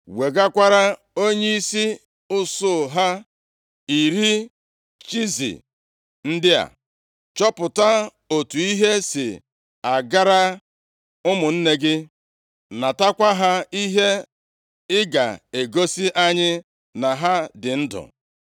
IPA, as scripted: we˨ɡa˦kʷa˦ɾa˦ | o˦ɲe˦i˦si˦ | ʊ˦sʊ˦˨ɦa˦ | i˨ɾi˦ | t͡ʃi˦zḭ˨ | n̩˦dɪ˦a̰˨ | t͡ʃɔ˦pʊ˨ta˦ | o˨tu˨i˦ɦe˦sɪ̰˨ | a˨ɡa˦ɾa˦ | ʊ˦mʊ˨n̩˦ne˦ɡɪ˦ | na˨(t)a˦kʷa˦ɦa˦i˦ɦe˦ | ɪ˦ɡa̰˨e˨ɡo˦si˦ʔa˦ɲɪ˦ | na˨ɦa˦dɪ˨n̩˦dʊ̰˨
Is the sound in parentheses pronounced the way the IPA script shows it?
yes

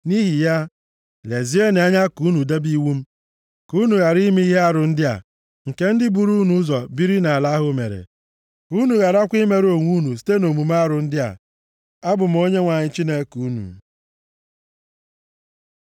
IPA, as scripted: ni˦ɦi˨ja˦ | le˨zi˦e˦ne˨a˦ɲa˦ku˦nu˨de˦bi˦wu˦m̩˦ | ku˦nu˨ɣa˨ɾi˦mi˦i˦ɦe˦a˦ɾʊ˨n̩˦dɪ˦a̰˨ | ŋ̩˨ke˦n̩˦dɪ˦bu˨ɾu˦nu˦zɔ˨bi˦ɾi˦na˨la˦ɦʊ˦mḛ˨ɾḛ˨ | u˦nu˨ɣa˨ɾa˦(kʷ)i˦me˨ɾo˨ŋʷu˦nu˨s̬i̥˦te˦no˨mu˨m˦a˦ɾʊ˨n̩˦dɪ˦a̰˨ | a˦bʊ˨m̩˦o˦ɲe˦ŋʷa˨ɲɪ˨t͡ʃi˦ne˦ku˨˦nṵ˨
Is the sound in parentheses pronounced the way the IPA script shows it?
yes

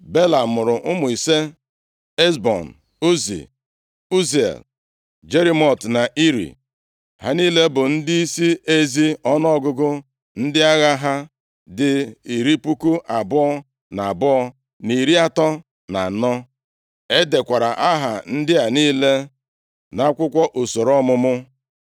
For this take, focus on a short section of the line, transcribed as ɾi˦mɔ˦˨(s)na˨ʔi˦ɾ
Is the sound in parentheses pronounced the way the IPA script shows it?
no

